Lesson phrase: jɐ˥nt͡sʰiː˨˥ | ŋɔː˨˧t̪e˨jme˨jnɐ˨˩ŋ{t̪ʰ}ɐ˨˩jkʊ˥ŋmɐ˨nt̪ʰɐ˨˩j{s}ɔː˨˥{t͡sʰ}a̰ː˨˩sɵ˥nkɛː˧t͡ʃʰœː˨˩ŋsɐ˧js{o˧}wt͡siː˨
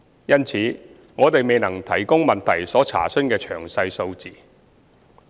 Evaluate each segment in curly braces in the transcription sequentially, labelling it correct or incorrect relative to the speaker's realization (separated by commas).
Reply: correct, correct, correct, correct